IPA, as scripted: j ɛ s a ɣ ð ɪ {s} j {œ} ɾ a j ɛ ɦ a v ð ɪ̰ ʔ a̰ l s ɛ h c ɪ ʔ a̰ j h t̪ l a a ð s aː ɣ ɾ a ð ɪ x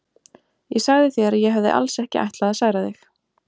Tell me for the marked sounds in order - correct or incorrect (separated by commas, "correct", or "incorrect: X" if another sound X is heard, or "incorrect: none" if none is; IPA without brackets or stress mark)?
incorrect: θ, incorrect: ɛ